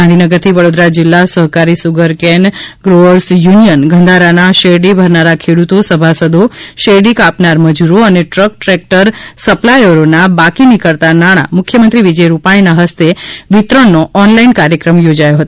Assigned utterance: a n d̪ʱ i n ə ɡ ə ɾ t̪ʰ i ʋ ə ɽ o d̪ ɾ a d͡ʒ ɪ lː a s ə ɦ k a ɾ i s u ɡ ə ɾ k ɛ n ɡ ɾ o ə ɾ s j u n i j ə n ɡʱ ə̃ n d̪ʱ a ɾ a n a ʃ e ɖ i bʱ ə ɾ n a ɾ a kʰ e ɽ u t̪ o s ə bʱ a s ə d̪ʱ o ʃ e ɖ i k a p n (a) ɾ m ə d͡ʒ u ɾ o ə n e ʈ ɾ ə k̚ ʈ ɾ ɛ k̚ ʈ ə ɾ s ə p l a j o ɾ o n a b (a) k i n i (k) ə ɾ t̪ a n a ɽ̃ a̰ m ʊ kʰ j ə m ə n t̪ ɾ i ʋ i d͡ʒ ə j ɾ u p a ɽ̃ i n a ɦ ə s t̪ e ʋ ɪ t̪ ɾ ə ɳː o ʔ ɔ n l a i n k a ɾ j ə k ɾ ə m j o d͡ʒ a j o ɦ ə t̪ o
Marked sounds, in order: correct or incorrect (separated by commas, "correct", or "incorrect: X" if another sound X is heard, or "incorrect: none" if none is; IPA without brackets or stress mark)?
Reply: correct, correct, correct